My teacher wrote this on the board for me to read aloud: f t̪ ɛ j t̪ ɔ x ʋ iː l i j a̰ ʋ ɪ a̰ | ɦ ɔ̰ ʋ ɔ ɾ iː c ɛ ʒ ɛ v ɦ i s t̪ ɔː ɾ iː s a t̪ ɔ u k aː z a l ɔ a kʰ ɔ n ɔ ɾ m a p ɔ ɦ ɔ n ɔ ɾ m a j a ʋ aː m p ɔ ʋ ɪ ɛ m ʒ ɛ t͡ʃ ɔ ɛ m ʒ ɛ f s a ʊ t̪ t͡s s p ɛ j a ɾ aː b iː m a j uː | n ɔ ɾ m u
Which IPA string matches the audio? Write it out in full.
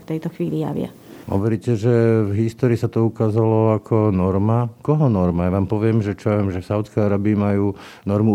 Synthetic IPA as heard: f t̪ ɛ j t̪ ɔ x ʋ iː l i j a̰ ʋ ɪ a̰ | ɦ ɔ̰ ʋ ɔ ɾ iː c ɛ ʒ ɛ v ɦ i s t̪ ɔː ɾ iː s a t̪ ɔ u k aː z a l ɔ a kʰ ɔ n ɔ ɾ m a k ɔ ɦ ɔ n ɔ ɾ m a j a ʋ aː m p ɔ ʋ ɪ ɛ m ʒ ɛ t͡ʃ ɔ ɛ m ʒ ɛ f s a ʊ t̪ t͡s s k ɛ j a ɾ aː b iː m a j uː | n ɔ ɾ m u